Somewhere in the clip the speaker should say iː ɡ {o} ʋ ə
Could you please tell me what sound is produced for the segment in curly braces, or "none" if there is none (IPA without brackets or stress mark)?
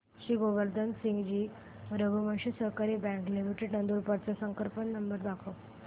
o